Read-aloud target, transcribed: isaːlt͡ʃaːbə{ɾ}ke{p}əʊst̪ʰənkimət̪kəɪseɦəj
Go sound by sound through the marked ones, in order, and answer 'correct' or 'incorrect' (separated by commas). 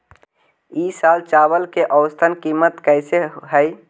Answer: incorrect, incorrect